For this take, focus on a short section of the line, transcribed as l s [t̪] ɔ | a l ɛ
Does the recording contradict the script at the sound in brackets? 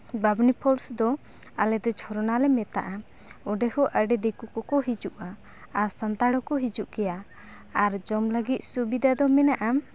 yes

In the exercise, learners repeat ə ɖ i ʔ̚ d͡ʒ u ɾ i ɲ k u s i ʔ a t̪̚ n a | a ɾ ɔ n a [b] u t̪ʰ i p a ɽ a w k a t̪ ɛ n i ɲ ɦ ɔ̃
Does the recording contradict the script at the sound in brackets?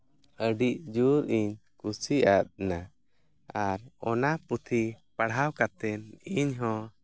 yes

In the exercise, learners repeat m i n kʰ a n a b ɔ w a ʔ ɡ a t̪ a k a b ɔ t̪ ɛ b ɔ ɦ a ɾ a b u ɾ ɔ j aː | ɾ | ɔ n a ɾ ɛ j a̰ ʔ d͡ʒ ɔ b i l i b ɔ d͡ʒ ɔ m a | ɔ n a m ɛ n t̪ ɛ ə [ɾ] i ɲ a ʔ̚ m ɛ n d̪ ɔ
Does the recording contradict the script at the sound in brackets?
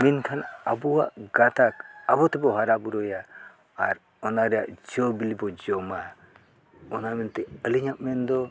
yes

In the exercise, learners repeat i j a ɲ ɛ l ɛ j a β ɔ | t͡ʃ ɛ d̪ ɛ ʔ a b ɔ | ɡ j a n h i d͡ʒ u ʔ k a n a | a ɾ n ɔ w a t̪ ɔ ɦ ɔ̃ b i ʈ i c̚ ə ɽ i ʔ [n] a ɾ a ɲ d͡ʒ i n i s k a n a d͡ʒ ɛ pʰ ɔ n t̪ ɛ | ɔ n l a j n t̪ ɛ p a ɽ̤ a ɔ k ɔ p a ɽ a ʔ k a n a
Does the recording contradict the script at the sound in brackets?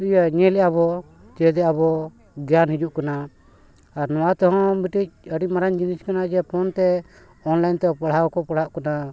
yes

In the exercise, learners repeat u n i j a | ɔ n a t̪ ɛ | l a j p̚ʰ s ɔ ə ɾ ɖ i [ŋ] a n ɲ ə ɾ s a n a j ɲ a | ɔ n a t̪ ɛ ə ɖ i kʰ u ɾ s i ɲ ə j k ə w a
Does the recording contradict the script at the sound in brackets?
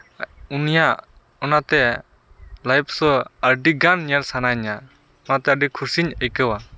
yes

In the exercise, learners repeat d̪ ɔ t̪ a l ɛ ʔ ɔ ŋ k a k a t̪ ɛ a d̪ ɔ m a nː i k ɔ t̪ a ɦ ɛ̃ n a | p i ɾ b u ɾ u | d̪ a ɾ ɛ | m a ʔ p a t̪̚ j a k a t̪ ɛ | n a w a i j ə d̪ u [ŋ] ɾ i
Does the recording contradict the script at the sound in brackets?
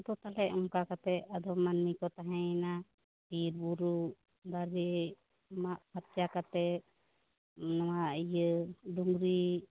no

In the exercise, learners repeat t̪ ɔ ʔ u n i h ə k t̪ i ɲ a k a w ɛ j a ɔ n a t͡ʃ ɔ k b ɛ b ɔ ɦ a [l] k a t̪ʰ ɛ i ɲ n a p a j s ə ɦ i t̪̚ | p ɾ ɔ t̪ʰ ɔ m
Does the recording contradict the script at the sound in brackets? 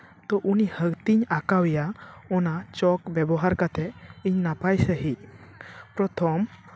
yes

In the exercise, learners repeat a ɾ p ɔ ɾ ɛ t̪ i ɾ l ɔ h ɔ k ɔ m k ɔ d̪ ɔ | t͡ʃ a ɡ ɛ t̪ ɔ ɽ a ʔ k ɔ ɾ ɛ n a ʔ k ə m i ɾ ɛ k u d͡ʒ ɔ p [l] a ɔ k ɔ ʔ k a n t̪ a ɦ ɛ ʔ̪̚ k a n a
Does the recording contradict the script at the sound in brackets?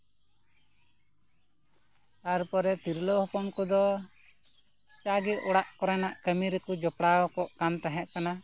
yes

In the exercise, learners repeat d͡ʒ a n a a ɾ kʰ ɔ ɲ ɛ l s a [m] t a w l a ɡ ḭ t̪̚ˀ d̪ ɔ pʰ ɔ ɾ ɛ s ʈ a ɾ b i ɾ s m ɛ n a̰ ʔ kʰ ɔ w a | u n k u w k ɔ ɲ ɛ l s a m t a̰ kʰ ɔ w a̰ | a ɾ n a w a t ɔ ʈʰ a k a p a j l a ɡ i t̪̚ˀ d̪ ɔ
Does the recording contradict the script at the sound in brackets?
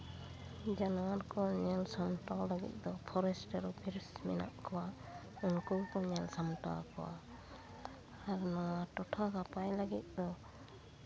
no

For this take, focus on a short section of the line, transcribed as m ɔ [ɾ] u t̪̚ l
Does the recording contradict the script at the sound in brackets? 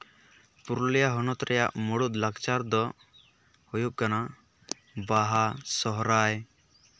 yes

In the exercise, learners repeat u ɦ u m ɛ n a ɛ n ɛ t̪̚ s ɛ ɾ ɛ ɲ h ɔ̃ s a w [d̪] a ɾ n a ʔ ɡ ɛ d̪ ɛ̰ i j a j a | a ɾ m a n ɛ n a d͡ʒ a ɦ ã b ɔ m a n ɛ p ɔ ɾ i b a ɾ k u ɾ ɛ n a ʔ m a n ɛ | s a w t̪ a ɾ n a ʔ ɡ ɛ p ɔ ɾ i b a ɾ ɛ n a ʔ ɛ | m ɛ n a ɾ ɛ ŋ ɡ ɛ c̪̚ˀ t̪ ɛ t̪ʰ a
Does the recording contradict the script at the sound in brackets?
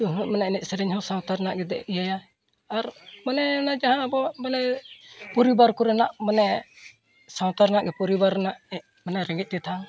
yes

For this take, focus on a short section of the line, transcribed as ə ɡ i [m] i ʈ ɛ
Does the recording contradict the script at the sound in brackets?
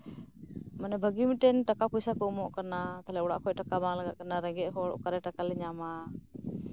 no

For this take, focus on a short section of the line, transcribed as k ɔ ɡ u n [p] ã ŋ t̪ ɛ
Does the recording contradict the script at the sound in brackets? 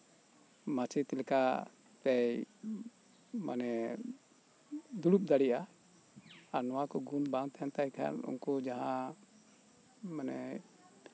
yes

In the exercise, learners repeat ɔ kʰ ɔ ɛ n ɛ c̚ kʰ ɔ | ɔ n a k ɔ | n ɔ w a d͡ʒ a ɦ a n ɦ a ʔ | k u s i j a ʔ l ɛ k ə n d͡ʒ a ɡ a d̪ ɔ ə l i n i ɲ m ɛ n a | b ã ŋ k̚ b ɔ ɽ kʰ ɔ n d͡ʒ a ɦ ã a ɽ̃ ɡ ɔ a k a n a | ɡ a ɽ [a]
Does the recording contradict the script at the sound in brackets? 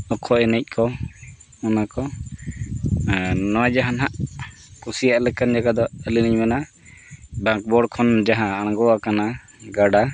no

